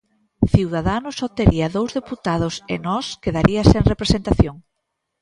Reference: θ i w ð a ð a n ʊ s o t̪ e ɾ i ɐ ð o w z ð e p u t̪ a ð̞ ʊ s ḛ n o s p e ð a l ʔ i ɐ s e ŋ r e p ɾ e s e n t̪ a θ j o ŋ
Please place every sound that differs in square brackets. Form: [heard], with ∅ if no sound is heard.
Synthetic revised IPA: θ i w ð a ð a n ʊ s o t̪ e ɾ i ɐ ð o w z ð e p u t̪ a ð̞ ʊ s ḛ n [ɔ] s [k] e ð a [ɾ] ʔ i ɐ s e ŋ r e p ɾ e s e n t̪ a θ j o ŋ